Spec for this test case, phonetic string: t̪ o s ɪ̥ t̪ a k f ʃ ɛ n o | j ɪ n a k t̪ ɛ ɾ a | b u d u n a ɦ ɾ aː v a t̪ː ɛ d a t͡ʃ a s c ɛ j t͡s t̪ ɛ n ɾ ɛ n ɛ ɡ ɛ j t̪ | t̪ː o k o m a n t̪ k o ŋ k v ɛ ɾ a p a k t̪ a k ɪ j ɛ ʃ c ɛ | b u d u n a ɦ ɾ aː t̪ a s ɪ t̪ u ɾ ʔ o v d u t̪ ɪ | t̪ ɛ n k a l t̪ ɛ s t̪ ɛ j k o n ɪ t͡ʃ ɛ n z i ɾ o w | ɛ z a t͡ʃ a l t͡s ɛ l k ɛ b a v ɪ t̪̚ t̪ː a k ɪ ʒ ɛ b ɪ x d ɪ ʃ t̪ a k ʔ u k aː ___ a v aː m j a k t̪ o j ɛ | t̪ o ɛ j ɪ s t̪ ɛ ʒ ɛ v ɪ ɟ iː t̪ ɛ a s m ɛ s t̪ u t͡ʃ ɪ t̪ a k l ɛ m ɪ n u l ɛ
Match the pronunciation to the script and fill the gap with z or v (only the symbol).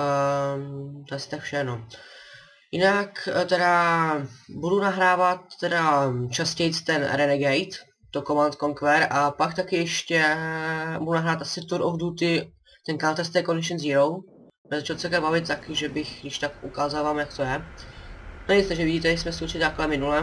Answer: z